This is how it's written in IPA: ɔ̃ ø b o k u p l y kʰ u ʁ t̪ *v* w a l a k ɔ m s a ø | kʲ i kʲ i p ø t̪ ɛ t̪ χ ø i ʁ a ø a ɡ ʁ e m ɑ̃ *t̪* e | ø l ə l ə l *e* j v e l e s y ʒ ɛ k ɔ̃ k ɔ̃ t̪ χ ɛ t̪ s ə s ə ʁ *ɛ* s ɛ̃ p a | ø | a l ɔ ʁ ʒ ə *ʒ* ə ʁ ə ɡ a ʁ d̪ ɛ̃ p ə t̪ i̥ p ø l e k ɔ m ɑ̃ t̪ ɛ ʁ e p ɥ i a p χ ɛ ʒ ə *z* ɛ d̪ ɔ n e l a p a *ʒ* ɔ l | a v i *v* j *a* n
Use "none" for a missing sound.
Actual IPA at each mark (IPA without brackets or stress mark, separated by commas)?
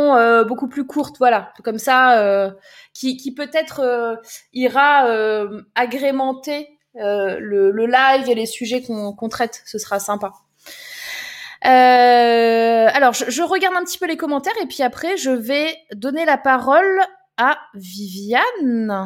v, t̪, a, a, ʒ, v, ʁ, v, a